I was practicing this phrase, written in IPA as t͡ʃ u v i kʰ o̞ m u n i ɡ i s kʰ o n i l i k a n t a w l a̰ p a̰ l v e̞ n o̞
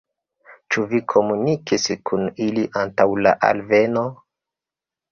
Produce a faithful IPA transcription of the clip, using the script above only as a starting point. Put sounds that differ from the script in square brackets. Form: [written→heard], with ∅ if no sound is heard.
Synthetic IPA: t͡ʃ u v i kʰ o̞ m u n i [ɡ→k] i s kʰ [o→u] n i l i [k→ʔ] a n t a w l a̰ [p→ʔ] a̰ l v e̞ n o̞